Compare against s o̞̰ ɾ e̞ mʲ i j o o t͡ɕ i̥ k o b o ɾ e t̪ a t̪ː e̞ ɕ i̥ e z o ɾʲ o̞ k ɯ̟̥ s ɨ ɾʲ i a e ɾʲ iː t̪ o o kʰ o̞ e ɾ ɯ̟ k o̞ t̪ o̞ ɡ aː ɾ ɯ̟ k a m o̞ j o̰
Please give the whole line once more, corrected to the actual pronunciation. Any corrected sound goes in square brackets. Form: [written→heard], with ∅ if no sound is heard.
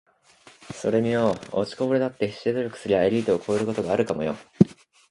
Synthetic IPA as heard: s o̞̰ ɾ e̞ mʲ i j o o t͡ɕ i̥ k o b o ɾ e [t̪→d̪] a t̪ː e̞ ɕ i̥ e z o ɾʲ o̞ k ɯ̟̥ s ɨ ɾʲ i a e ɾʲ iː t̪ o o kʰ o̞ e ɾ ɯ̟ k o̞ t̪ o̞ ɡ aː ɾ ɯ̟ k a m o̞ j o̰